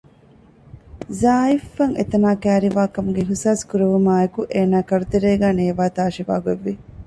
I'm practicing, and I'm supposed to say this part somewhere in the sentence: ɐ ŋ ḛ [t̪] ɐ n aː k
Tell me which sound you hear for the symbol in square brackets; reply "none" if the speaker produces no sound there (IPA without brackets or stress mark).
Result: t̪